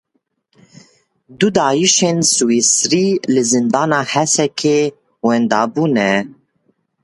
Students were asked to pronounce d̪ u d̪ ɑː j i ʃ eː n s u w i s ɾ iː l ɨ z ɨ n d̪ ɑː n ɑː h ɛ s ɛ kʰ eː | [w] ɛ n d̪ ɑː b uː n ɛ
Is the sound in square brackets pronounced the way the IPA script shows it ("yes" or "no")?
yes